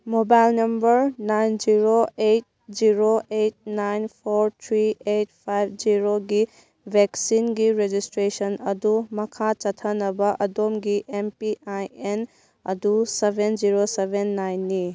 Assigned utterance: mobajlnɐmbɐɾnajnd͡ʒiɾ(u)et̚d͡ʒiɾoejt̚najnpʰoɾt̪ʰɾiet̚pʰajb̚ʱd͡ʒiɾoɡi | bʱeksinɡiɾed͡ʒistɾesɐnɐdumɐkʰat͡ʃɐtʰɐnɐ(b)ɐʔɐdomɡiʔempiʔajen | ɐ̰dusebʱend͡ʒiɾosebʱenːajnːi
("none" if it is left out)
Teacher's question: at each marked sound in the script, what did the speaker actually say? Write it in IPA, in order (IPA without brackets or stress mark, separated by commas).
o, b